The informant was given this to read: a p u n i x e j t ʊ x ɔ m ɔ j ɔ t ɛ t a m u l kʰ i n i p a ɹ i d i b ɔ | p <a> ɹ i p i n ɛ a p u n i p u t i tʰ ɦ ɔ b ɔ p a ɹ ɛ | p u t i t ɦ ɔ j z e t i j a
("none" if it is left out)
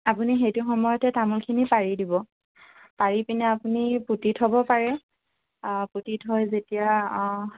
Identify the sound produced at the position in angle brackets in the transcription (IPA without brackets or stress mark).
a